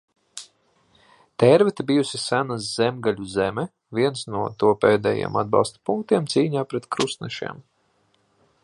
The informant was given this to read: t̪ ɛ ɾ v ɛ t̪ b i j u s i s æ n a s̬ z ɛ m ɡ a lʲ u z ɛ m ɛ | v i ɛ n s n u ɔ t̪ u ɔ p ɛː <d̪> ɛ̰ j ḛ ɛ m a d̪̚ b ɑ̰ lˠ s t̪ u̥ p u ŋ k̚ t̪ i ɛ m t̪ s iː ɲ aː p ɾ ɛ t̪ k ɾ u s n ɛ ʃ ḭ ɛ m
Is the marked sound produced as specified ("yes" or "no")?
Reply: yes